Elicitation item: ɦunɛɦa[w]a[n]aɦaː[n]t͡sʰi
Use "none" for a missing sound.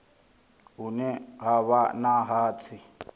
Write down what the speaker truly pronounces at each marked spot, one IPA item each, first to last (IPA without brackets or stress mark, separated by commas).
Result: β, n, none